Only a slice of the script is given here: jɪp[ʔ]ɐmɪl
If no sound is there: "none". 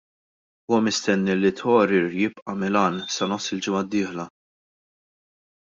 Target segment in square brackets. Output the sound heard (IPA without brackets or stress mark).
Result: ʔ